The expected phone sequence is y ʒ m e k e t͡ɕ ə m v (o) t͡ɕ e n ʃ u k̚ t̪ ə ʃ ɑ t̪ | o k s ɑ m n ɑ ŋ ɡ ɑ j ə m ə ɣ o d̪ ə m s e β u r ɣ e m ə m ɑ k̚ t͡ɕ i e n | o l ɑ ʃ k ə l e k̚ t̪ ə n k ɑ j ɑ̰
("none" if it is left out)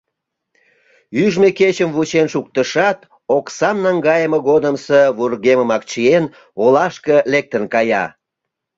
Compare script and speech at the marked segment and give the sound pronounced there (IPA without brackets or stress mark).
u